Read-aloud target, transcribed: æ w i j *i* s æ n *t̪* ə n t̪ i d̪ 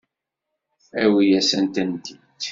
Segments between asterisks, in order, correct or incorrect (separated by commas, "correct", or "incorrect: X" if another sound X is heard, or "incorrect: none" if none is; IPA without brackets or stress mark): incorrect: æ, correct